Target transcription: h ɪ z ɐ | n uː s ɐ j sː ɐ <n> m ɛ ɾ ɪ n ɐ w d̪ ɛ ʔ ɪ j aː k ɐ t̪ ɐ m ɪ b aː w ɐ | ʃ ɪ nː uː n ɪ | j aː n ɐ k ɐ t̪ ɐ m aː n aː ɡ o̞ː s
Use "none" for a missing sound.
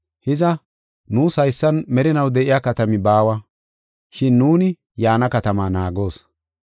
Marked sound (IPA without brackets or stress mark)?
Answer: n